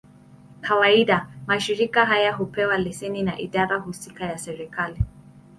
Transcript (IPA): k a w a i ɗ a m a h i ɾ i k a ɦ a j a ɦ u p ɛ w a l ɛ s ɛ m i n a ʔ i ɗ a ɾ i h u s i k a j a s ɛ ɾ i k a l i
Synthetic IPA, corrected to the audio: k a w a i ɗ a m a ʃ i ɾ i k a ɦ a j a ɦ u p ɛ w a l ɛ s ɛ n i n a ʔ i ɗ a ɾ a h u s i k a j a s ɛ ɾ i k a l i